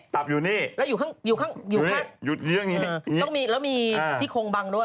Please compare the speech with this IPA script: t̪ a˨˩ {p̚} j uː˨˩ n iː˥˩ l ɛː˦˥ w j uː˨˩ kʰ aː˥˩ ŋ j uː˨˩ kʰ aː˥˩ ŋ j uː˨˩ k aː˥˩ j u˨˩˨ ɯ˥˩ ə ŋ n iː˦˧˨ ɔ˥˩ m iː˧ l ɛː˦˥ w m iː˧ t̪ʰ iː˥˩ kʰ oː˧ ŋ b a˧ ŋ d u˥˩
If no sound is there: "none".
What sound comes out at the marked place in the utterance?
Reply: p̚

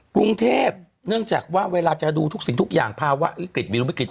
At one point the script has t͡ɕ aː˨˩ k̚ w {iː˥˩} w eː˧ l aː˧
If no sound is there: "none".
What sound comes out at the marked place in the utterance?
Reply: aː˥˩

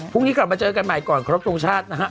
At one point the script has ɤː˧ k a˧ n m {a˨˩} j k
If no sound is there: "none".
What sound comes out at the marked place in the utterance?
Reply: a˨˩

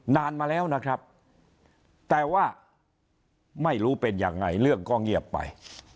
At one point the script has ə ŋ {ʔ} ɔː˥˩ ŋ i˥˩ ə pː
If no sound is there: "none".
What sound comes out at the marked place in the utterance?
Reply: k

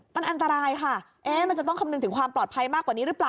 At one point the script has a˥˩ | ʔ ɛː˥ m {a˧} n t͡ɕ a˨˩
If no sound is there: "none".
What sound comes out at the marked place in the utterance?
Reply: a˧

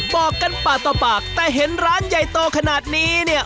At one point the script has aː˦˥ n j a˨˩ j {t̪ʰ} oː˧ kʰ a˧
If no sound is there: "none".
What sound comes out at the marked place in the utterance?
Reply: t̪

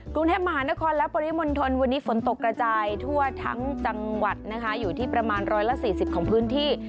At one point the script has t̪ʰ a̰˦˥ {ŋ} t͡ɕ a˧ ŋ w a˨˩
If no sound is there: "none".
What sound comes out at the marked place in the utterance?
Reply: ŋ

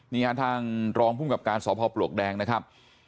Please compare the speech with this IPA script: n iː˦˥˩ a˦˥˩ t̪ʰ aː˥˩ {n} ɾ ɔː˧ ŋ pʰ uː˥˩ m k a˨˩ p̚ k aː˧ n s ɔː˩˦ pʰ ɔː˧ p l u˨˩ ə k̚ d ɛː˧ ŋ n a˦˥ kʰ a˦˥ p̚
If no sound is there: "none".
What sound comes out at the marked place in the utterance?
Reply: ŋ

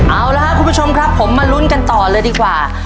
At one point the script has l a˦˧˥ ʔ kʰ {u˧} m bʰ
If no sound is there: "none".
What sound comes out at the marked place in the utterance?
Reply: u˧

